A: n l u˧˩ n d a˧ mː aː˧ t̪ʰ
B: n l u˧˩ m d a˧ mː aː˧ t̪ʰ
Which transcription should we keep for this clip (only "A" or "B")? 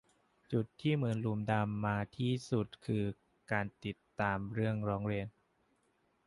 B